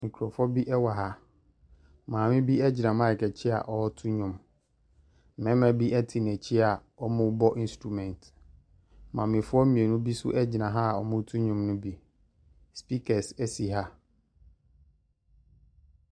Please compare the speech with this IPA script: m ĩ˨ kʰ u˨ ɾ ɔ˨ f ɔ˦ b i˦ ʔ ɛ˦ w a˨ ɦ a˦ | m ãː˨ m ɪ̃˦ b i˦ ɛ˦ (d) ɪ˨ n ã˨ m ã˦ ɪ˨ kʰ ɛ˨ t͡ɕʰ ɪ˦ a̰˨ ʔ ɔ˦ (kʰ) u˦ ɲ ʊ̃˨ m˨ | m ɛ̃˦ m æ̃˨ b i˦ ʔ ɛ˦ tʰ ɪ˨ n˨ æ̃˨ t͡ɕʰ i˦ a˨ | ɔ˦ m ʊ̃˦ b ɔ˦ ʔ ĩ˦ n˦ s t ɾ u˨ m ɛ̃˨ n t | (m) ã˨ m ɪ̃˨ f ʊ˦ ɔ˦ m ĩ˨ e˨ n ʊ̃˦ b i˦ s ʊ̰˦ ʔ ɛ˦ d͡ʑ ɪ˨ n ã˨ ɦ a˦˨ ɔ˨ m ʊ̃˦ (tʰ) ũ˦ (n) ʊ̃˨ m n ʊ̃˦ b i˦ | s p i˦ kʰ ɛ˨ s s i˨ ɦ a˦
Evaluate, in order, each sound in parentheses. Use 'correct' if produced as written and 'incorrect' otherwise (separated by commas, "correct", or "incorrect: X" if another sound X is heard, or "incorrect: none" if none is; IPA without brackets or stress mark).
incorrect: d͡ʑ, incorrect: tʰ, correct, correct, incorrect: ɲ